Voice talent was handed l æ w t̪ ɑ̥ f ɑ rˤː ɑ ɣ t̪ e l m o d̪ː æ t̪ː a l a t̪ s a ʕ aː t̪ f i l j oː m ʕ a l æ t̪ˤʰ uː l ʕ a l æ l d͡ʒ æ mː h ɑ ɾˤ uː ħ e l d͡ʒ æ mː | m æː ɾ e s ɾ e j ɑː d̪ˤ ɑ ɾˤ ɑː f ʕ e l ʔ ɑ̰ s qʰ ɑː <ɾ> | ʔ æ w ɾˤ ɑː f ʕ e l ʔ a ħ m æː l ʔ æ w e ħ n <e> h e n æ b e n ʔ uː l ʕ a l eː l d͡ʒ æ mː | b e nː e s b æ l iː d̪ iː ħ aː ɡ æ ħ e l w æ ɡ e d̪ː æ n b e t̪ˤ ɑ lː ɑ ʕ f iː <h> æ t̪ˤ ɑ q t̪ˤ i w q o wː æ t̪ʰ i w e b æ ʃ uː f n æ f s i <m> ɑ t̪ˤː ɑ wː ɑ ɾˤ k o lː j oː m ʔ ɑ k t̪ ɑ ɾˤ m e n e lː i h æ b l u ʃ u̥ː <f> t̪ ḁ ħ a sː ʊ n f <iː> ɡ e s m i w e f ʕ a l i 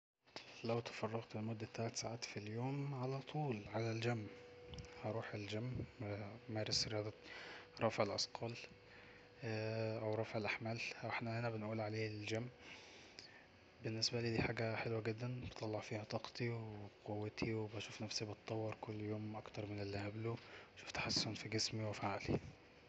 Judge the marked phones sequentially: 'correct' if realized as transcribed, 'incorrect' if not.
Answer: incorrect: l, incorrect: æ, correct, incorrect: b, correct, incorrect: i

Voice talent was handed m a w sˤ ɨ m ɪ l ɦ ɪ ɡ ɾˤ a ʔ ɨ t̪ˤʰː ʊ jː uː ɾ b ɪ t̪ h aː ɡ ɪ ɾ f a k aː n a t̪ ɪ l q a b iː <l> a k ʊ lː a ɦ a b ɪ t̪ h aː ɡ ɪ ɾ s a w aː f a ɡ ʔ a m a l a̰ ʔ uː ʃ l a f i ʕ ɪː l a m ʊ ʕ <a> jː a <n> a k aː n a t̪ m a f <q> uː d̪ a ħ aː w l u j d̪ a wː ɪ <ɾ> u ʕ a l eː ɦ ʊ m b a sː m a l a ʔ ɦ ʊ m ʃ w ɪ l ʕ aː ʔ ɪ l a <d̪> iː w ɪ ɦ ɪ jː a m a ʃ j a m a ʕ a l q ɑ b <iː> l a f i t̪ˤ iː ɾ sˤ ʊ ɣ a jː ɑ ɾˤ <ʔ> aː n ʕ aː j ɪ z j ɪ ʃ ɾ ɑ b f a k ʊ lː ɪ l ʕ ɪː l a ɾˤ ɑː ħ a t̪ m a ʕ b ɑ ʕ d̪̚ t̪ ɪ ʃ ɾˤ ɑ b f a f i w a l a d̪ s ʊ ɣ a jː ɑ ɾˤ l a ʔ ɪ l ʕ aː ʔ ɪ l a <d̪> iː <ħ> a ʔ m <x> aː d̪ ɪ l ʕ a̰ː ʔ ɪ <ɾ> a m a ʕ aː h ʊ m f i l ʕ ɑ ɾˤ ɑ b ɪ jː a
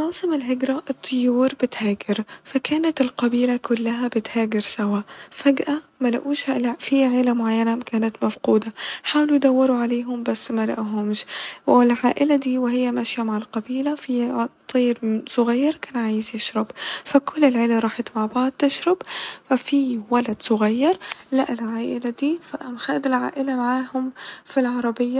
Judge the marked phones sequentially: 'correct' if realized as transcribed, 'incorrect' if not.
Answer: correct, correct, correct, correct, correct, correct, correct, incorrect: k, correct, incorrect: f, correct, incorrect: l

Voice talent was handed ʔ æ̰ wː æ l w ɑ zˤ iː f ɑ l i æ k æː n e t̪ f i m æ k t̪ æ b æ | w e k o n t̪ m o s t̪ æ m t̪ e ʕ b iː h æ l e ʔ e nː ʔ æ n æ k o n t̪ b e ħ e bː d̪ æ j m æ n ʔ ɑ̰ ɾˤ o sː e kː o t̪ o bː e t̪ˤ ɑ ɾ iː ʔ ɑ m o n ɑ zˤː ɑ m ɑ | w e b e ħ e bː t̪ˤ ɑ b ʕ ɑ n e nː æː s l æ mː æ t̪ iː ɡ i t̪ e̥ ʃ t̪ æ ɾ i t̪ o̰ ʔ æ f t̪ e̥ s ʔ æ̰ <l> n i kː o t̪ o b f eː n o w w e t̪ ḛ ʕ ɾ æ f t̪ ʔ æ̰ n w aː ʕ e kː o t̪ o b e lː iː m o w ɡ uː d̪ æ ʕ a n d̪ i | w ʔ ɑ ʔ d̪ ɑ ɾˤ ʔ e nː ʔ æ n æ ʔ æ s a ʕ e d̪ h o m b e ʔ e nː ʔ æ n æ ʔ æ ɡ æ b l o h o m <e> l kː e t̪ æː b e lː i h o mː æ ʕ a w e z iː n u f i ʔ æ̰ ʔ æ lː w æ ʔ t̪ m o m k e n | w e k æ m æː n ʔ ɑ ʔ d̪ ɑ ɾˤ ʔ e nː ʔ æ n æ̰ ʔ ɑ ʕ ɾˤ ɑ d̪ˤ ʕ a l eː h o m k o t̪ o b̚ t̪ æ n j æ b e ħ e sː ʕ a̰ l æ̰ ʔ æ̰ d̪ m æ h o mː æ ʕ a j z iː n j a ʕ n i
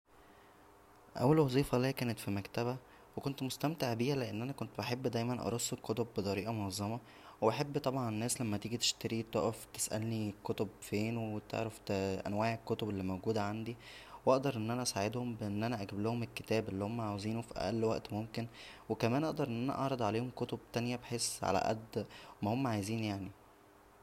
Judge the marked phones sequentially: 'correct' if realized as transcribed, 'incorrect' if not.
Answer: correct, correct

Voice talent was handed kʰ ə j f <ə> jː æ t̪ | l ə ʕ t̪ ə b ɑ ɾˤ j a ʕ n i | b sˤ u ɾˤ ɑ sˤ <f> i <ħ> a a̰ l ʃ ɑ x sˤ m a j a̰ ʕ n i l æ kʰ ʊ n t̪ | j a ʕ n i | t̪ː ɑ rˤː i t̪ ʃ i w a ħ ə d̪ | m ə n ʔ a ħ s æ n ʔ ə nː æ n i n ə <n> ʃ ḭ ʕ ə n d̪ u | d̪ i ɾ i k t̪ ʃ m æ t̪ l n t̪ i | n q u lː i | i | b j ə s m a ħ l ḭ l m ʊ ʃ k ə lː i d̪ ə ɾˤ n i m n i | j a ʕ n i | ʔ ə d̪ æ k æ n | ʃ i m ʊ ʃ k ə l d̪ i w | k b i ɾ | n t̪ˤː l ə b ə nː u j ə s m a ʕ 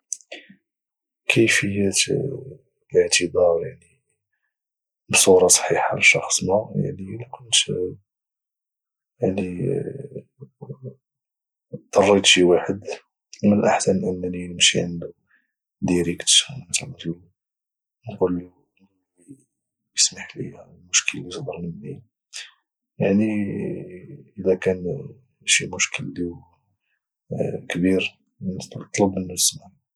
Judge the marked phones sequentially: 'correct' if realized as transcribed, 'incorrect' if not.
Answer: correct, incorrect: ħ, correct, incorrect: m

